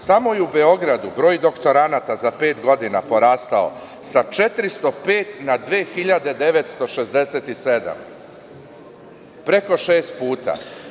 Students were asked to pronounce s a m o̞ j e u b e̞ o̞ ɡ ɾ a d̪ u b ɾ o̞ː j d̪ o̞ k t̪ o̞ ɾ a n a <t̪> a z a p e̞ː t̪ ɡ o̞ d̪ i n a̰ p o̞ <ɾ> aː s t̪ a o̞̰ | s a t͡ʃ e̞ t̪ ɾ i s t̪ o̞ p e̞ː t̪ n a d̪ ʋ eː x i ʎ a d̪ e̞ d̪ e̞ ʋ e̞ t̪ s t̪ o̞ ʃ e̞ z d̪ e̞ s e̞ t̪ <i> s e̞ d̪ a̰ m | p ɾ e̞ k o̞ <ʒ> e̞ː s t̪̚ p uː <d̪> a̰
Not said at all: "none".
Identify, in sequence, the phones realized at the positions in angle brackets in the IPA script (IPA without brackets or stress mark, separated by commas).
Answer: t̪, ɾ, i, ʃ, t̪